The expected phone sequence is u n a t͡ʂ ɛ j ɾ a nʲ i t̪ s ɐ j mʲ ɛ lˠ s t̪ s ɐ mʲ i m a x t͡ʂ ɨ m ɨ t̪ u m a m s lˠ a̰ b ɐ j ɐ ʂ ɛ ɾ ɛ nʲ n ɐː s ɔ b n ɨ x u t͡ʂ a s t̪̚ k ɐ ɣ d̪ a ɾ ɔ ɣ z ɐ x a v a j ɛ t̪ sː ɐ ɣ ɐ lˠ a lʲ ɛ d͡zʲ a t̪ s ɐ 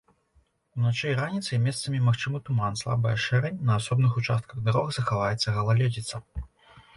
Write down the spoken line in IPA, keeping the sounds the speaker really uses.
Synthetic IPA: u n a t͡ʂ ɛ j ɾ a nʲ i t̪ s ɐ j mʲ ɛ s t̪ s ɐ mʲ i m a x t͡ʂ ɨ m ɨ t̪ u m a n s lˠ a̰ b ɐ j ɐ ʂ ɛ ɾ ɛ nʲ n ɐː s ɔ b n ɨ x u t͡ʂ a s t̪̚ k ɐ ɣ d̪ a ɾ ɔ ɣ z ɐ x a v a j ɛ t̪ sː ɐ ɣ ɐ lˠ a lʲ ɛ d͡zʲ i t̪ s ɐ

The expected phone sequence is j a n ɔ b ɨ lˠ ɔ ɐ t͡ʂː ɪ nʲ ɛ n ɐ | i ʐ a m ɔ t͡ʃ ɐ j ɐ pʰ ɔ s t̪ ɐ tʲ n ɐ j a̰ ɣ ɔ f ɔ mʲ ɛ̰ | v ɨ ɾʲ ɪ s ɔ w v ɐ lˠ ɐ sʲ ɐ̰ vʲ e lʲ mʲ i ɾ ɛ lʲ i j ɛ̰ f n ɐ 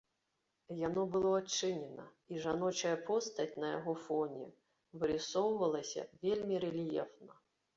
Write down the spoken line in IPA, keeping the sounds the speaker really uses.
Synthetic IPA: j a n ɔ b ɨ lˠ ɔ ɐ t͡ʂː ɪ nʲ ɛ n ɐ | i ʐ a n ɔ t͡ʃ ɐ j ɐ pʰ ɔ s t̪ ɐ tʲ n ɐ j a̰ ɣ ɔ f ɔ nʲ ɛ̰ | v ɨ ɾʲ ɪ s ɔ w v ɐ lˠ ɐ sʲ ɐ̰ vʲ e lʲ mʲ i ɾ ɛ lʲ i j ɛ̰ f n ɐ

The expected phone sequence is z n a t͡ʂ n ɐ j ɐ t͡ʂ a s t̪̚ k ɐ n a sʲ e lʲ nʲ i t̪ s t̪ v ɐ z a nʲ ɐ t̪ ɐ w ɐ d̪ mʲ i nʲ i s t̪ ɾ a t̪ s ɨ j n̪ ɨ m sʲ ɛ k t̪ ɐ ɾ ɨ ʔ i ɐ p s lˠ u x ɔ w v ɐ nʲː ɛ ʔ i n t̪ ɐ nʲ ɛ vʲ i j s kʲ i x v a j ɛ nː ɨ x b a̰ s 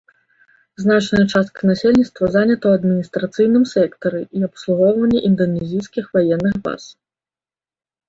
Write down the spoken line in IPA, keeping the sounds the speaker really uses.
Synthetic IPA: z n a t͡ʂ n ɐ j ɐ t͡ʂ a s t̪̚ k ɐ n a sʲ e lʲ nʲ i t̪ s t̪ v ɐ z a nʲ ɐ t̪ ɐ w ɐ d̪ mʲ i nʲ i s t̪ ɾ a t̪ s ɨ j n̪ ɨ m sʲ ɛ k t̪ ɐ ɾ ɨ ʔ i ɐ p s lˠ u ɣ ɔ w v ɐ nʲː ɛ ʔ i n d̪ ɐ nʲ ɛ zʲ i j s kʲ i x v a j ɛ nː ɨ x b a̰ s

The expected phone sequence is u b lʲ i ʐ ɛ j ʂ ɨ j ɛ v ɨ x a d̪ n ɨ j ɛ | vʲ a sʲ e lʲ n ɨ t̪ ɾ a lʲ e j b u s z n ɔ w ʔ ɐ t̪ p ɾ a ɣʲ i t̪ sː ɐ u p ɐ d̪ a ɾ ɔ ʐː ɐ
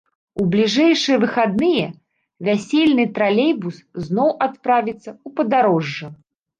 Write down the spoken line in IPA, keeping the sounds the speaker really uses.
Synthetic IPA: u b lʲ i ʐ ɛ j ʂ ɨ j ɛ v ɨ x a d̪ n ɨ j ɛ | vʲ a sʲ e lʲ n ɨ t̪ ɾ a lʲ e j b u s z n ɔ w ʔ a t̪ p ɾ a vʲ i t̪ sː ɐ u p ɐ d̪ a ɾ ɔ ʐː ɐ

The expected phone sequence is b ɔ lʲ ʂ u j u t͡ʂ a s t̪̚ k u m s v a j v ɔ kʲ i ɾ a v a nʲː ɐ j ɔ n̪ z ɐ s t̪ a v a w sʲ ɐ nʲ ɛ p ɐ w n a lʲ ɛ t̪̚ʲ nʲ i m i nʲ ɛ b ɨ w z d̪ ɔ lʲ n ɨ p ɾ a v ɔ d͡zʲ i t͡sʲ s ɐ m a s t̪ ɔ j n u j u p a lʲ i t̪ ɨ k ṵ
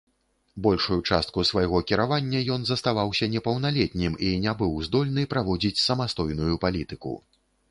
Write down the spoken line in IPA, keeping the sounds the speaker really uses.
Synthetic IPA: b ɔ lʲ ʂ u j u t͡ʂ a s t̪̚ k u s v a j ɣ ɔ kʲ i ɾ a v a nʲː ɐ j ɔ n̪ z ɐ s t̪ a v a w sʲ ɐ nʲ ɛ p ɐ w n a lʲ ɛ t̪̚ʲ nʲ i m i nʲ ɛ b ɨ w z d̪ ɔ lʲ n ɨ p ɾ a v ɔ d͡zʲ i t͡sʲ s ɐ m a s t̪ ɔ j n u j u p a lʲ i t̪ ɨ k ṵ

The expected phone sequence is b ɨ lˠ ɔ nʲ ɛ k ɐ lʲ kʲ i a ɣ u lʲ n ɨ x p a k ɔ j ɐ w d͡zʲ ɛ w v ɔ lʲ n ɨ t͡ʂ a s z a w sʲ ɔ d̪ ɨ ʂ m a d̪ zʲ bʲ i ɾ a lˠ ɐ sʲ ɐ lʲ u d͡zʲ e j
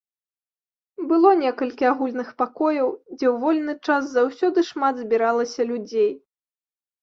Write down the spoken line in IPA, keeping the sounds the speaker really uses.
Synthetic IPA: b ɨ lˠ ɔ nʲ ɛ k ɐ lʲ kʲ i a ɣ u lʲ n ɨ x p a k ɔ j ɐ w d͡zʲ ɛ w v ɔ lʲ n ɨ t͡ʂ a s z a w sʲ ɔ d̪ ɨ ʂ m a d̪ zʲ bʲ i ɾ a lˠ ɐ sʲ ɐ lʲ u d͡zʲ e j

